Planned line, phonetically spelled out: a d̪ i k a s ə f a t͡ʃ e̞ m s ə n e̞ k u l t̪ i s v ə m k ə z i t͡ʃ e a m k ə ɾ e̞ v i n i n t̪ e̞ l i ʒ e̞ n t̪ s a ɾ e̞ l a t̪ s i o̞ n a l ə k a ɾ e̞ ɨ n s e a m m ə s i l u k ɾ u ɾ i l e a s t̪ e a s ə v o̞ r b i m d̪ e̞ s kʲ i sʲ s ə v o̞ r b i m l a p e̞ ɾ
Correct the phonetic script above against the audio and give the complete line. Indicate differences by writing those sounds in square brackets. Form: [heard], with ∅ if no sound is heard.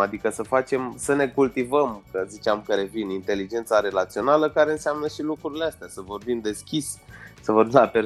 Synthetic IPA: a d̪ i k [ə] s ə f a t͡ʃ e̞ m s ə n e̞ k u l t̪ i [∅] v ə m k ə z i t͡ʃ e a m k ə ɾ e̞ v i n i n t̪ e̞ l i [d͡ʒ] e̞ n t̪ s a ɾ e̞ l a t̪ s i o̞ n a l ə k a ɾ e̞ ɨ n s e a m [n] ə [ʃ] i l u k ɾ u ɾ i l e a s t̪ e a s ə v o̞ r b i m d̪ e̞ s kʲ i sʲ s ə v o̞ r b i m l a p e̞ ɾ